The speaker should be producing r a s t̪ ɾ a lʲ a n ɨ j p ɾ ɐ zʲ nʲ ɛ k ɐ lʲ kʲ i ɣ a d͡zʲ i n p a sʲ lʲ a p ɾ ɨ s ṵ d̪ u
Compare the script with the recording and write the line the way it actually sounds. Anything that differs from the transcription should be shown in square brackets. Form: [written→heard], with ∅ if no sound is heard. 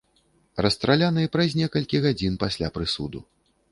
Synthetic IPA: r [a→ɐ] s t̪ ɾ a lʲ a n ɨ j p ɾ ɐ zʲ nʲ ɛ k ɐ lʲ kʲ i ɣ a d͡zʲ i n p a sʲ lʲ a p ɾ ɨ s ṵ d̪ u